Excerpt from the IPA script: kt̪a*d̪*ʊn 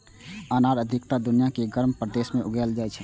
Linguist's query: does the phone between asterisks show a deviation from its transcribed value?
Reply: no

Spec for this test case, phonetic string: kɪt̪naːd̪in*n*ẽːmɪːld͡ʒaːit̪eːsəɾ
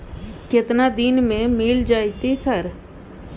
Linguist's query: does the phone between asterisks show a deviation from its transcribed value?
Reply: yes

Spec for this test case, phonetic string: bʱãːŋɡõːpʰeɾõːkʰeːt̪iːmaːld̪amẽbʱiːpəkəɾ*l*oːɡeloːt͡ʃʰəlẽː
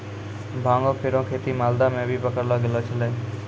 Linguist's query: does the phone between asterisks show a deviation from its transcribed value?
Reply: no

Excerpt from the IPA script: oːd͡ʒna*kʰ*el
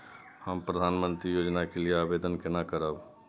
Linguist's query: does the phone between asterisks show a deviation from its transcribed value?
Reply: yes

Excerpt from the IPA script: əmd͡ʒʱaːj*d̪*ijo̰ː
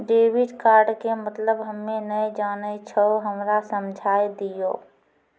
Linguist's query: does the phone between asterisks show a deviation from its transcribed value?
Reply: no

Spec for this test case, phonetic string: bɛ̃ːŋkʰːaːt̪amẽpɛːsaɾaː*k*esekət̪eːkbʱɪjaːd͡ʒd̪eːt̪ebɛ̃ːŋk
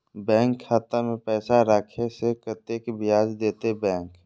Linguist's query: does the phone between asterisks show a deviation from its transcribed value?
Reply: yes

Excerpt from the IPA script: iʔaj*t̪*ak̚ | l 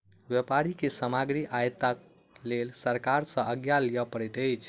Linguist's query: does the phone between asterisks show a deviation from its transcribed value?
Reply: no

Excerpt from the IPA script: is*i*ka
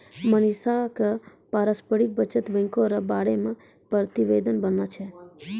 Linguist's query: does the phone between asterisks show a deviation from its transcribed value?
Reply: yes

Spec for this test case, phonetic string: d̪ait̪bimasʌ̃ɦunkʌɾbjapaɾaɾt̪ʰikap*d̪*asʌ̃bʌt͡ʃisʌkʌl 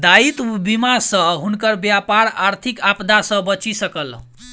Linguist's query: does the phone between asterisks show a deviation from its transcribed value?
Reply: no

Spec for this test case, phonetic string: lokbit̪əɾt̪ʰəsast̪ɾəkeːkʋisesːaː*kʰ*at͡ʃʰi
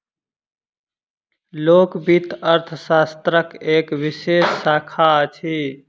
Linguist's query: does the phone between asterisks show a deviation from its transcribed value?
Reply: no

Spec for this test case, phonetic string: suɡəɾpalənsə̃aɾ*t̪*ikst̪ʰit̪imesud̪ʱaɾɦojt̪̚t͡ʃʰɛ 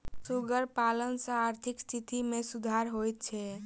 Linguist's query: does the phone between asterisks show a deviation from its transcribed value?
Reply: yes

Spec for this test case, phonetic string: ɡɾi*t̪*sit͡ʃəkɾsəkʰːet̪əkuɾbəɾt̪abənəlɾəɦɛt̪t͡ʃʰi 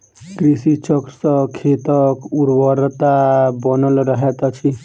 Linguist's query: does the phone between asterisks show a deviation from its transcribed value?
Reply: yes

